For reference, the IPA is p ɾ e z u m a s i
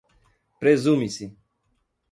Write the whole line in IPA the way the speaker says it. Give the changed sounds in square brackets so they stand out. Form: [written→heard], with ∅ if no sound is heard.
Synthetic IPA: p ɾ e z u m [a→i] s i